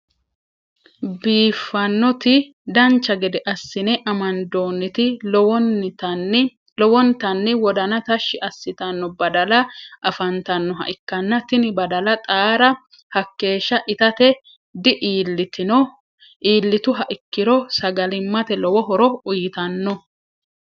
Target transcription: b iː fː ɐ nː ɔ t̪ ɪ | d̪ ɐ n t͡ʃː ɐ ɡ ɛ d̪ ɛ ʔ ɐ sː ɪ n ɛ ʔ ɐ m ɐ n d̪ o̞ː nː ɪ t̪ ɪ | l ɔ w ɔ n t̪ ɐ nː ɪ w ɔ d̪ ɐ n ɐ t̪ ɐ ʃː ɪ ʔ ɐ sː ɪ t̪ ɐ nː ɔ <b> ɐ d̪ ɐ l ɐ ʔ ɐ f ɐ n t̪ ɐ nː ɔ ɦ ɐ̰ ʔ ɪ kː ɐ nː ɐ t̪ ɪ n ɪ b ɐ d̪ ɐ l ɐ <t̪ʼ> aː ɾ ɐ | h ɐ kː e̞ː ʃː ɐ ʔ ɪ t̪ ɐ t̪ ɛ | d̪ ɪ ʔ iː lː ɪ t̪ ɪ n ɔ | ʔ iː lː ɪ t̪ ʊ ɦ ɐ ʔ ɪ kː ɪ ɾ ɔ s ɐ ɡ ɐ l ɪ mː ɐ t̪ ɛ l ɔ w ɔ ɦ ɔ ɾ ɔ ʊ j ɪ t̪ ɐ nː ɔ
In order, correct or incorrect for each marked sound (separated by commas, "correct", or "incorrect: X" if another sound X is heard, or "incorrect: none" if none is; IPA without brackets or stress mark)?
correct, correct